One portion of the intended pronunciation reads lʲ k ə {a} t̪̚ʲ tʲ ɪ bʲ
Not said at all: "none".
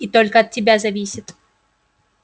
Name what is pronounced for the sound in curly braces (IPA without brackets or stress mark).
ɐ